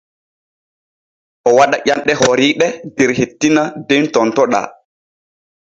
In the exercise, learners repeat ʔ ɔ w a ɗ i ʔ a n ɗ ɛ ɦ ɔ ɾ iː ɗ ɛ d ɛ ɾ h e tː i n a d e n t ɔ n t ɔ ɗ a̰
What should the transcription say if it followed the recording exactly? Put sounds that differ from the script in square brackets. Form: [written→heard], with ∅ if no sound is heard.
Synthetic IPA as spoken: ʔ ɔ w a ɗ [i→a] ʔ a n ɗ ɛ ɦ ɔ ɾ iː ɗ ɛ d ɛ ɾ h e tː i n a d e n t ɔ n t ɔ ɗ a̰

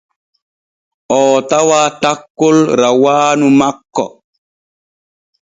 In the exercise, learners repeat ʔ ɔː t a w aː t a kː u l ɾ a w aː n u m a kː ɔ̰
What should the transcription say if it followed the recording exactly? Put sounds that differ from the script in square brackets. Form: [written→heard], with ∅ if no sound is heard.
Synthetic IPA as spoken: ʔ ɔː t a w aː t a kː [u→o] l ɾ a w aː n u m a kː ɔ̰

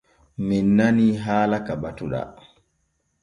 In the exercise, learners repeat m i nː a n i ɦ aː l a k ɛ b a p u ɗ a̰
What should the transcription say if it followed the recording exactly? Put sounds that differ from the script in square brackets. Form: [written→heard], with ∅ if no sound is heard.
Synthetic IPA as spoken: m i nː a n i ɦ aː l a k [ɛ→a] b a [p→t] u ɗ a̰

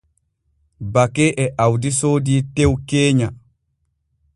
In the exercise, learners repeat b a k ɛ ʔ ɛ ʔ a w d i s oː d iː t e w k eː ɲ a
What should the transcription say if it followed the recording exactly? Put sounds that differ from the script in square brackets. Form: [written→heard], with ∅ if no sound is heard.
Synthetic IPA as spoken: b a k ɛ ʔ ɛ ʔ a w d i s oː d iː t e w k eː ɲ a

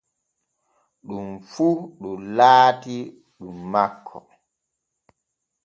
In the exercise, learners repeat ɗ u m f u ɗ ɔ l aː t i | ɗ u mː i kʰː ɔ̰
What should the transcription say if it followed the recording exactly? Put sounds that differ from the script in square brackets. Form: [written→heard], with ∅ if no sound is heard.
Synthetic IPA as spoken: ɗ u m f u ɗ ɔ l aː t i | ɗ u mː [i→a] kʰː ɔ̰

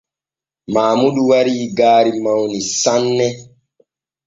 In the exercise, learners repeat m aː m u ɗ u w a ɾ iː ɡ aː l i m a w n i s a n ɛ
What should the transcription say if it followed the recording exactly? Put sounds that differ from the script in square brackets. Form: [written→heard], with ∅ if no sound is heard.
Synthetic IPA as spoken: m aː m u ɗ u w a ɾ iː ɡ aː [l→ɾ] i m a w n i s a [n→nː] ɛ

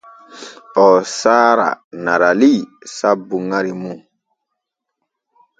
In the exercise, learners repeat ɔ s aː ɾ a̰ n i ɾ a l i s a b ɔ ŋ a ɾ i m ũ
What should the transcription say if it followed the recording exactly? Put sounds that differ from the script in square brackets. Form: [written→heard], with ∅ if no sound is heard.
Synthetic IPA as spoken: ɔ s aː ɾ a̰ n [i→a] ɾ a l i s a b [ɔ→u] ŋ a ɾ i m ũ

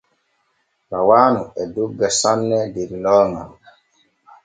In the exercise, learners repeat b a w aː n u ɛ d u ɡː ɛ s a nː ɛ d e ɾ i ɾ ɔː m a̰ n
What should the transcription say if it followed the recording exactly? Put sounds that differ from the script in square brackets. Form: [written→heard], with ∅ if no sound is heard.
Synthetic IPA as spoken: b a w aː n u ɛ d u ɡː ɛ s a nː ɛ d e ɾ i [ɾ→l] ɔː [m→ŋ] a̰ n

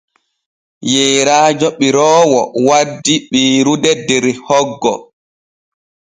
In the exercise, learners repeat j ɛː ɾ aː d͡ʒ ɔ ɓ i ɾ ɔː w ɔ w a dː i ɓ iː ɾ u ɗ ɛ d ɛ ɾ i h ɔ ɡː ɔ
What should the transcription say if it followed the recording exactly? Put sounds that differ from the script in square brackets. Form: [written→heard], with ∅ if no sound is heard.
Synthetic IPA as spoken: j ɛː ɾ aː d͡ʒ ɔ ɓ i ɾ ɔː w ɔ w a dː i ɓ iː ɾ u [ɗ→d] ɛ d ɛ ɾ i h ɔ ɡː ɔ

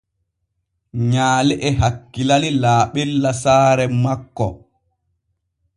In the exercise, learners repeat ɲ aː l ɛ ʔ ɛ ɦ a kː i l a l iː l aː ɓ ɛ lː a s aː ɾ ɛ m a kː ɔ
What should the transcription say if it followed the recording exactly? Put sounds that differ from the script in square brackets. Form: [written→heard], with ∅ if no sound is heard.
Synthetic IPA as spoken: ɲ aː l ɛ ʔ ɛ ɦ a kː i l a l [iː→i] l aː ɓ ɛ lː a s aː ɾ ɛ m a kː ɔ

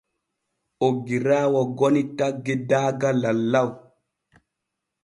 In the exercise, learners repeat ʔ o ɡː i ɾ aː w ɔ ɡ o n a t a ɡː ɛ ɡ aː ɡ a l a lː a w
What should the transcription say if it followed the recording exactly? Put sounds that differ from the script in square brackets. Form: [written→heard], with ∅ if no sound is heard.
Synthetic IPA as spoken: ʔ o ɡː i ɾ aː w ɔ ɡ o n [a→i] t a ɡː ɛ [ɡ→d] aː ɡ a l a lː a w

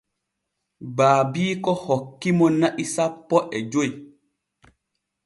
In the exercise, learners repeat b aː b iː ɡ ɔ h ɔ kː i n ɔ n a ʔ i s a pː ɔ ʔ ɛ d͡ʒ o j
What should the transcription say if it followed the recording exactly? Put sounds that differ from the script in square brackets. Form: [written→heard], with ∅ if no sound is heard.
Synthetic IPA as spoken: b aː b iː [ɡ→k] ɔ h ɔ kː i [n→m] ɔ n a ʔ i s a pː ɔ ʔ ɛ d͡ʒ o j

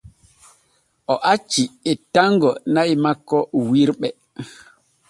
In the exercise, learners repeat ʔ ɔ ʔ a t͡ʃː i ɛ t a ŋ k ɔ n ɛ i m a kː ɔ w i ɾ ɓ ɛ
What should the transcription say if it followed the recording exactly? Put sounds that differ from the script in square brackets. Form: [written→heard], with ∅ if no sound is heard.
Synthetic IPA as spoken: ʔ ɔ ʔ a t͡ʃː i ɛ t a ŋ [k→ɡ] ɔ n [ɛ→a] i m a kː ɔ w i ɾ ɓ ɛ

